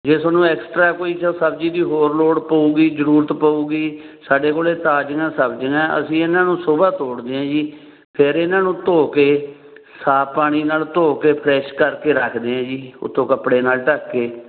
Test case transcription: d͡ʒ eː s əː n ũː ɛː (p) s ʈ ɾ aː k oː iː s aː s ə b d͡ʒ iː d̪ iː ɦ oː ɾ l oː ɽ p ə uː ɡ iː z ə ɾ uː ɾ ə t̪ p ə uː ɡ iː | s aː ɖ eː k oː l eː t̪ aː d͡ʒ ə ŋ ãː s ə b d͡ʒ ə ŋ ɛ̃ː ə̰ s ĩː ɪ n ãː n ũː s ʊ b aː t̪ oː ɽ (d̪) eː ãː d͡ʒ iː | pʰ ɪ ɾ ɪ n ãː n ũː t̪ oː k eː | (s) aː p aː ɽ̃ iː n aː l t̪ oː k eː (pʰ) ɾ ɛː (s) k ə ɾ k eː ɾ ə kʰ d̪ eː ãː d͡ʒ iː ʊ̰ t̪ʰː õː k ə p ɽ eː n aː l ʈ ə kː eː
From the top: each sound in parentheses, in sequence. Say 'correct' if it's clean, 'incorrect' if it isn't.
incorrect, correct, correct, correct, incorrect

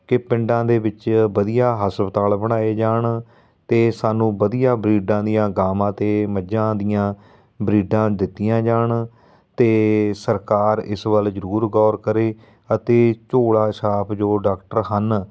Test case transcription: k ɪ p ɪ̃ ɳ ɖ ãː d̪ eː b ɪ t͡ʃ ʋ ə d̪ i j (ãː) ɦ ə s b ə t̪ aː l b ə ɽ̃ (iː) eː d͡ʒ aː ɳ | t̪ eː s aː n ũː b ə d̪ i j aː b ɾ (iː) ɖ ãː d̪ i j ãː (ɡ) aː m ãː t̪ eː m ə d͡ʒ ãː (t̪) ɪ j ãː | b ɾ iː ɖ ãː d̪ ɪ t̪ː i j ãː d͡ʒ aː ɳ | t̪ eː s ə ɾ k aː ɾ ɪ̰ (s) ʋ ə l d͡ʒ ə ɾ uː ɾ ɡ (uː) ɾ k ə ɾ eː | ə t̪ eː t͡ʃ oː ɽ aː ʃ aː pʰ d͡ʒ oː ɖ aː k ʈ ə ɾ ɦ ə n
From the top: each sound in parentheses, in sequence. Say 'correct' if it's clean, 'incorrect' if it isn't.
incorrect, incorrect, correct, correct, incorrect, correct, incorrect

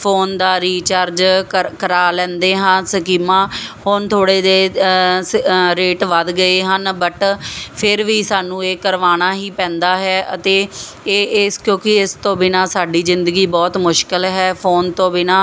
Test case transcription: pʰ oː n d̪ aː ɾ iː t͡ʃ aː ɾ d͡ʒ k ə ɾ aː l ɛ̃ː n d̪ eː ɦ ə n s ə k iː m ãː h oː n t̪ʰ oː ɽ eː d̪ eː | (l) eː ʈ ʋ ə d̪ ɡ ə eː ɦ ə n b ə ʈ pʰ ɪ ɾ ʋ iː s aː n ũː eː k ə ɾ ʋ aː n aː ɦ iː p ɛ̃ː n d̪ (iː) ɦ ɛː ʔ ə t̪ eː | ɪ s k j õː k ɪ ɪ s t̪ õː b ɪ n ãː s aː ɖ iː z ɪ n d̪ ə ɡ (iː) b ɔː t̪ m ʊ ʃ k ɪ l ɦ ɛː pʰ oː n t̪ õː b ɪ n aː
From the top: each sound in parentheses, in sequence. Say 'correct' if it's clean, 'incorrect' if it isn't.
incorrect, incorrect, correct

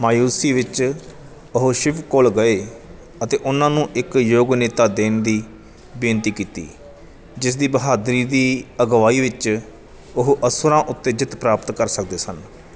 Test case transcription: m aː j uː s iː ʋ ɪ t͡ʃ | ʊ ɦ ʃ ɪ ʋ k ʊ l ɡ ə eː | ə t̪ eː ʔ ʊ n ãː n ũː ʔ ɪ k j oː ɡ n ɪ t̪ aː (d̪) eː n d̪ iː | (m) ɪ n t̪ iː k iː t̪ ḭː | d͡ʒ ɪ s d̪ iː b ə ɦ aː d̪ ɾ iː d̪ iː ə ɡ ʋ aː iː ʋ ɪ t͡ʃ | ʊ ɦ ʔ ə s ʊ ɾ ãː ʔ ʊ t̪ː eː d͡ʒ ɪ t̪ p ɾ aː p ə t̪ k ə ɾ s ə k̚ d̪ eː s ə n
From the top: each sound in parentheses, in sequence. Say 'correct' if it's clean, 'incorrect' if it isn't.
correct, incorrect

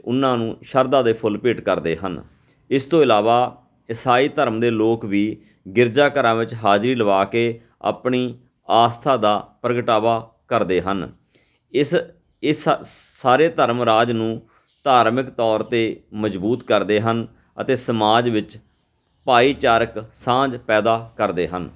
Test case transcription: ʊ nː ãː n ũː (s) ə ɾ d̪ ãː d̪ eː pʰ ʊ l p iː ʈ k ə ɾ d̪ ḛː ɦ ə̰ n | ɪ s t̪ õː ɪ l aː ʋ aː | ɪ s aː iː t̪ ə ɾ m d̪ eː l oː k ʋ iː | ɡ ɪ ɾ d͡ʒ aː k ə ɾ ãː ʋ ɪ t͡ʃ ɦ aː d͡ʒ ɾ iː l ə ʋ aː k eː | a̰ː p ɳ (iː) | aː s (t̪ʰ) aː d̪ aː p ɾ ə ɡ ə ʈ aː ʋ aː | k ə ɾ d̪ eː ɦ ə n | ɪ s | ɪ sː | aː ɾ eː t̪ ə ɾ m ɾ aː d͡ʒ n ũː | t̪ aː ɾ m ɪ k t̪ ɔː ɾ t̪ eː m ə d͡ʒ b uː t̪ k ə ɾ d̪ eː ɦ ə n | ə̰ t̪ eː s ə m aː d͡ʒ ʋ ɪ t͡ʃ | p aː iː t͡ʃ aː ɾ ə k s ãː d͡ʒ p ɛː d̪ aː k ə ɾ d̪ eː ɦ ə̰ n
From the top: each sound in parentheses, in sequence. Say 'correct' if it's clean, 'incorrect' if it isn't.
incorrect, correct, correct

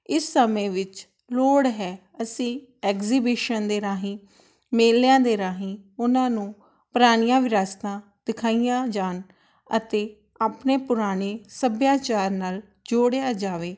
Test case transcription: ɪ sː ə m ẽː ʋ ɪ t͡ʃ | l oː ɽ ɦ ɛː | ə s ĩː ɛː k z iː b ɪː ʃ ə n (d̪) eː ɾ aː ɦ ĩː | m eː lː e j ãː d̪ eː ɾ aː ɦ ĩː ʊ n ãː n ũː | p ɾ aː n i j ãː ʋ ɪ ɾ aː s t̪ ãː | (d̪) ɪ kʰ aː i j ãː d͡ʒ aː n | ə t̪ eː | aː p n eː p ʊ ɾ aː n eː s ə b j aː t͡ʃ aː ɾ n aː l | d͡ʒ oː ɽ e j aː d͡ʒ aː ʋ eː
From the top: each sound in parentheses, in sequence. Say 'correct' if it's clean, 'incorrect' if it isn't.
correct, correct

